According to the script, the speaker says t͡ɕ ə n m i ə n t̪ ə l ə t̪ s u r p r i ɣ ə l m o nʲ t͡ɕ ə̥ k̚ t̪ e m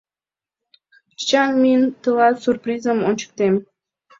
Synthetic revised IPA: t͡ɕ ɑ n m i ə n t̪ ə l ɑ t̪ s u r p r i z ə m o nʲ t͡ɕ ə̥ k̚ t̪ e m